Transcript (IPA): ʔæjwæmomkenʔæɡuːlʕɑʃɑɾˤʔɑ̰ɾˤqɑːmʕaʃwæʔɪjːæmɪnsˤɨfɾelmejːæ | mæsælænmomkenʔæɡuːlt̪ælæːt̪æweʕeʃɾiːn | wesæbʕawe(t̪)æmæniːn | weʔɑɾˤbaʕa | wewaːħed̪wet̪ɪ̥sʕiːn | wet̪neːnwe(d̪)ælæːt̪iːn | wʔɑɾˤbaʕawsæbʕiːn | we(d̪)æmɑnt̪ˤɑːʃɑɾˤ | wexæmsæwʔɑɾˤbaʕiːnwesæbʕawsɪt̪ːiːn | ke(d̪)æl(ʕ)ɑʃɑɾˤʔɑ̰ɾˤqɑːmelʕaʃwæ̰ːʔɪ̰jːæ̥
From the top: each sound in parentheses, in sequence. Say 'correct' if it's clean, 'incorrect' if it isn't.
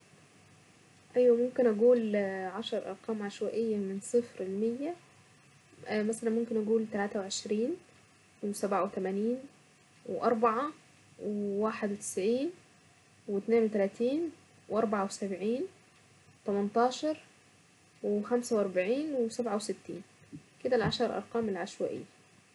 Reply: correct, incorrect, incorrect, correct, correct

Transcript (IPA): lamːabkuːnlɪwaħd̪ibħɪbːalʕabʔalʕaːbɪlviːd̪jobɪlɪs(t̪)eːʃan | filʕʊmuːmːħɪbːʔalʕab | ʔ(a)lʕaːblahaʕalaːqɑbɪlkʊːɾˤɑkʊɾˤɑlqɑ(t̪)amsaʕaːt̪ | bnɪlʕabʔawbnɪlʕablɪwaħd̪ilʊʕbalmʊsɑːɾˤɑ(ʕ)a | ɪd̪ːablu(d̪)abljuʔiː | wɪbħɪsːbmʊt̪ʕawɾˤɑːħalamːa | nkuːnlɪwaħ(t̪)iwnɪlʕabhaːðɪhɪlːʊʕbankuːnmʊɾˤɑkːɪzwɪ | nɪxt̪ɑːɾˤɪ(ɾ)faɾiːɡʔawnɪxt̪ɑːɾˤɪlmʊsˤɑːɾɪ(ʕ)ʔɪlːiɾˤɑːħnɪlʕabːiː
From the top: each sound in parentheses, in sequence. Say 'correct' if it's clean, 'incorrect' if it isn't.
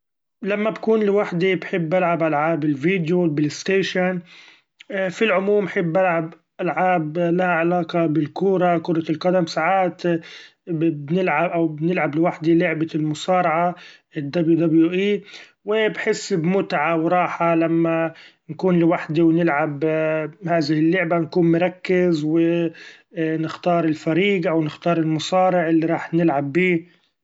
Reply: correct, correct, incorrect, correct, correct, incorrect, incorrect, correct

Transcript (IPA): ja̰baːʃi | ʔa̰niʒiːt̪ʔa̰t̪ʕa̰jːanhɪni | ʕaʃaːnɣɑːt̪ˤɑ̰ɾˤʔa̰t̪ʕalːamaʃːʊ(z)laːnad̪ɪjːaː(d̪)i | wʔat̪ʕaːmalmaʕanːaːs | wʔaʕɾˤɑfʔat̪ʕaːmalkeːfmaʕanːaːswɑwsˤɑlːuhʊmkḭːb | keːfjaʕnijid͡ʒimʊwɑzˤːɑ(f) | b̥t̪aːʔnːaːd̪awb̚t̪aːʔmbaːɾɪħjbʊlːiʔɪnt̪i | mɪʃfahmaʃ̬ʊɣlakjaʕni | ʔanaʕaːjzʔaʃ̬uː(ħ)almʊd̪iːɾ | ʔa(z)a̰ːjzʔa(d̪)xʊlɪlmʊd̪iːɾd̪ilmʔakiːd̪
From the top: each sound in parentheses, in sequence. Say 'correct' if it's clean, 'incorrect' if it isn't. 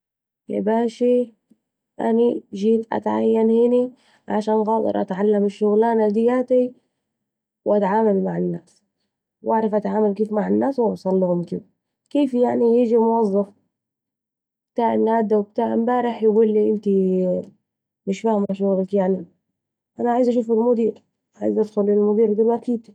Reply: incorrect, incorrect, correct, incorrect, incorrect, correct

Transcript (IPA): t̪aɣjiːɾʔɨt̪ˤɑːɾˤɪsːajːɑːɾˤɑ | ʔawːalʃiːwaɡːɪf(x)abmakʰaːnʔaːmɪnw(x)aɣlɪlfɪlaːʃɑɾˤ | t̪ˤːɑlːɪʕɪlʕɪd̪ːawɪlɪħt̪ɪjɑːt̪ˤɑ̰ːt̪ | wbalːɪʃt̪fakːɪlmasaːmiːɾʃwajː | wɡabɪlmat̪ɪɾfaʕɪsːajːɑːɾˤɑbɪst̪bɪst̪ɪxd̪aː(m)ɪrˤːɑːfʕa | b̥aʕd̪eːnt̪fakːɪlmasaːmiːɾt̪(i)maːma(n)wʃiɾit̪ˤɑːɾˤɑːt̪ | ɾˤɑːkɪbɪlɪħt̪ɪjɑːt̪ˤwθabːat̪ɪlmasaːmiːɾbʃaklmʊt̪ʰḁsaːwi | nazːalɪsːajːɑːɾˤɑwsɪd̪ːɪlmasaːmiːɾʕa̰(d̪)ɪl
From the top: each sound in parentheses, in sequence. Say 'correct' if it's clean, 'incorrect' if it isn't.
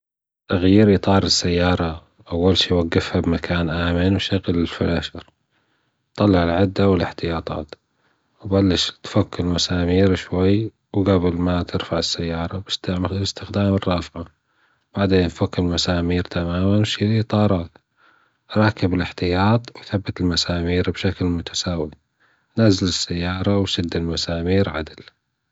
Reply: incorrect, incorrect, correct, incorrect, correct, correct

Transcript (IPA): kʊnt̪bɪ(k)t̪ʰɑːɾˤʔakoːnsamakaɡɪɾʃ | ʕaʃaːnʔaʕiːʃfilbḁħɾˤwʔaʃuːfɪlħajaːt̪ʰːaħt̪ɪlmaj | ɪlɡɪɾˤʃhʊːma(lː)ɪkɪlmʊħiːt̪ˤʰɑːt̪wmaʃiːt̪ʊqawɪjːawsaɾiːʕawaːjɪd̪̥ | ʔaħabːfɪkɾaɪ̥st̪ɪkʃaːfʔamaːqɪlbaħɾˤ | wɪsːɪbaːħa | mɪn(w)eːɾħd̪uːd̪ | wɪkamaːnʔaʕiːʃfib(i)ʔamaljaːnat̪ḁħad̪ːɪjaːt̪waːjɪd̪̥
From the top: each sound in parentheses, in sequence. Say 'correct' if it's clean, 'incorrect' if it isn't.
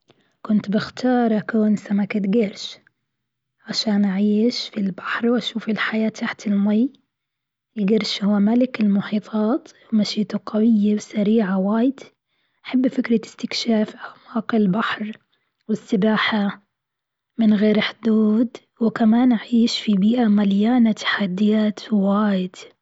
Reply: incorrect, incorrect, incorrect, incorrect

